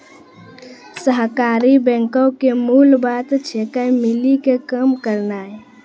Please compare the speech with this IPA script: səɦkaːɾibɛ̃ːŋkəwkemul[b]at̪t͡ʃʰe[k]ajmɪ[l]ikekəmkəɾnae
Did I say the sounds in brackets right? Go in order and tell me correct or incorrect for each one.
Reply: correct, correct, correct

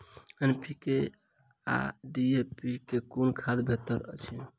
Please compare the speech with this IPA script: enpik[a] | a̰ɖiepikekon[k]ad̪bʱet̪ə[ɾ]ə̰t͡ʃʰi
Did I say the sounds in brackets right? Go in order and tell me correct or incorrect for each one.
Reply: incorrect, incorrect, correct

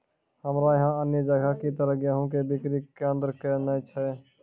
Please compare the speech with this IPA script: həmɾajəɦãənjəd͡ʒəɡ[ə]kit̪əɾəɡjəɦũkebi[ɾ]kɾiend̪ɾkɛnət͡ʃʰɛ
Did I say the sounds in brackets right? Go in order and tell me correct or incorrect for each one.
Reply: incorrect, incorrect

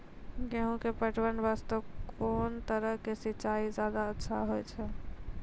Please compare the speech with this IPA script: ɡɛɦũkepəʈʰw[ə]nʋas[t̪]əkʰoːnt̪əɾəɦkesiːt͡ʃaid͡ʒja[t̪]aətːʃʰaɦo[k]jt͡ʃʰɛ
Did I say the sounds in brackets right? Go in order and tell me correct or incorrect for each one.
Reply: correct, correct, incorrect, incorrect

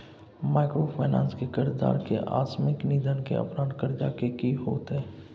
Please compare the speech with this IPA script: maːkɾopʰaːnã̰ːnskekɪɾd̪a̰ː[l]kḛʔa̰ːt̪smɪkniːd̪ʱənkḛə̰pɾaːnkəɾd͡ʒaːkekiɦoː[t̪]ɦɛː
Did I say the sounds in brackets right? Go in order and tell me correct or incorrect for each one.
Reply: incorrect, correct

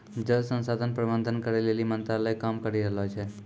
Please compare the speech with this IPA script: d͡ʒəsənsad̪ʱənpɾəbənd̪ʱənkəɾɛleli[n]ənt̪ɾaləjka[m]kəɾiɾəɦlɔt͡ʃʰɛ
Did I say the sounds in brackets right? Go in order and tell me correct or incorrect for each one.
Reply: incorrect, correct

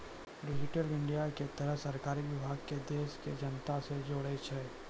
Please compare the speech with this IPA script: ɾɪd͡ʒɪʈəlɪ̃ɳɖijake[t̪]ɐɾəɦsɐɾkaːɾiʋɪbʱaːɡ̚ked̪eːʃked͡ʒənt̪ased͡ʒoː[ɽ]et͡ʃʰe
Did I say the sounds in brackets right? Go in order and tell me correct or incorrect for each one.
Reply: correct, correct

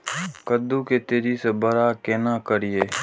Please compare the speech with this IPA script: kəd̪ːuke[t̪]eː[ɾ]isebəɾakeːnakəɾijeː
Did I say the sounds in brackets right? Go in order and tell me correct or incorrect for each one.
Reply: correct, correct

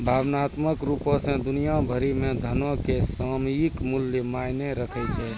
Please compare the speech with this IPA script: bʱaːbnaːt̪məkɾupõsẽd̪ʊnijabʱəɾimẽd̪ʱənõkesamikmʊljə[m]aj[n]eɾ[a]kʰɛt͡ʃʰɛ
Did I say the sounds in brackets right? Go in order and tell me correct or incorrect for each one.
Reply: correct, correct, incorrect

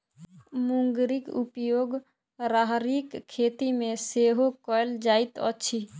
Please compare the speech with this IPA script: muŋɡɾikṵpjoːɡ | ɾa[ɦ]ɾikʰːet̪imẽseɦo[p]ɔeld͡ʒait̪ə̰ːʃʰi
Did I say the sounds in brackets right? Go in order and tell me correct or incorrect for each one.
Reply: correct, incorrect

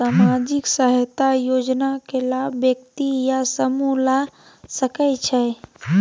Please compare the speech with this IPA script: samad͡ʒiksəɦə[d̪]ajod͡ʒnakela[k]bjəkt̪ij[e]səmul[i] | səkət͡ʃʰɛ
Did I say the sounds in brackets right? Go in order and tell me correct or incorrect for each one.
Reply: incorrect, incorrect, incorrect, incorrect

